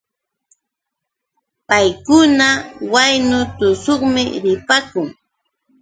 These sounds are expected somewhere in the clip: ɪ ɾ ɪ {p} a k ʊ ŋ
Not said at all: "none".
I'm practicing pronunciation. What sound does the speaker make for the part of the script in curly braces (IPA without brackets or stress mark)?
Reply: p